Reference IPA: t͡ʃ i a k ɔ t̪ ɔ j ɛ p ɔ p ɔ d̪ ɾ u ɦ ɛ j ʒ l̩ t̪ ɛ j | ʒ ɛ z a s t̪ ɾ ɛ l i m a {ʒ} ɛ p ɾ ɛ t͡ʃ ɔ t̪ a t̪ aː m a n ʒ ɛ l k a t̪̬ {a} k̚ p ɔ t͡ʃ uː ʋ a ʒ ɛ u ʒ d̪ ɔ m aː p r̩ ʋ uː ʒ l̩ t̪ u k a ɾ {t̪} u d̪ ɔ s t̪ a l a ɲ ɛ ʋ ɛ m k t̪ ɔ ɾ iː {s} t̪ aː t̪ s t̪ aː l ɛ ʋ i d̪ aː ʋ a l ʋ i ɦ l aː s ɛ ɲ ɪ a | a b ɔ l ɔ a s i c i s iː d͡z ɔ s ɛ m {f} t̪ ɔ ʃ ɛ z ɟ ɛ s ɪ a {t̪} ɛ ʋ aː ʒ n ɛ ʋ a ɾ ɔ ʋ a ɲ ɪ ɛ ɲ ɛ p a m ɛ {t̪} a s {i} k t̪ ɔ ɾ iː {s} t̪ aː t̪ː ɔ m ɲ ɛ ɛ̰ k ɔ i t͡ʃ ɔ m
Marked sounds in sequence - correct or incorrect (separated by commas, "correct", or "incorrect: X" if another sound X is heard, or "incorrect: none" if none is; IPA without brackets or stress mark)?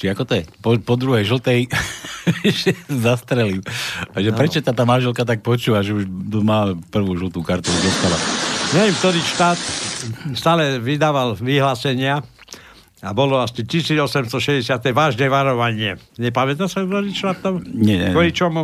correct, correct, correct, incorrect: ʃ, incorrect: s, correct, correct, incorrect: a, incorrect: ʃ